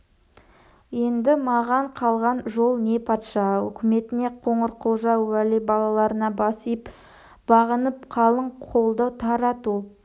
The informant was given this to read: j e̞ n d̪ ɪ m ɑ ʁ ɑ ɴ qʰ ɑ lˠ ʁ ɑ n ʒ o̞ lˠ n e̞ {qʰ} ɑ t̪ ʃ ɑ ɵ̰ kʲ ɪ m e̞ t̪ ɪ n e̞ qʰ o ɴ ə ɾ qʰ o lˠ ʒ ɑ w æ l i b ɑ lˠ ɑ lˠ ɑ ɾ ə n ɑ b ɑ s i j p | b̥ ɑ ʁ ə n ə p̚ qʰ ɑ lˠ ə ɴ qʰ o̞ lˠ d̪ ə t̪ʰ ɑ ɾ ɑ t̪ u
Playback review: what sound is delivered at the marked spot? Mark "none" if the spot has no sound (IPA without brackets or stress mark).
pʰ